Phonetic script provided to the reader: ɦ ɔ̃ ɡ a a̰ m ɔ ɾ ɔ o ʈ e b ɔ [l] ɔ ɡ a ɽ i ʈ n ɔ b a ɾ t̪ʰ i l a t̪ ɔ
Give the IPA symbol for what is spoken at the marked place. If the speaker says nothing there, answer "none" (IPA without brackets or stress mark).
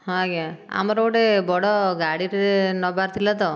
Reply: ɽ